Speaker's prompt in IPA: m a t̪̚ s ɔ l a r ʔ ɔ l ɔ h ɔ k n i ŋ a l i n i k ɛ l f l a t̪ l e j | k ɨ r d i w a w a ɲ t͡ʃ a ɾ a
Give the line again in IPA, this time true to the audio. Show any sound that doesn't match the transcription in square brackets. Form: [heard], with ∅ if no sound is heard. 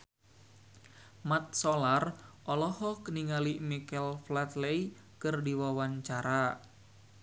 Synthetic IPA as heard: m a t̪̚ s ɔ l a r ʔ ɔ l ɔ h ɔ k n i ŋ a l i [m] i k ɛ l f l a t̪ l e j | k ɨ r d i w a w a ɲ t͡ʃ a ɾ a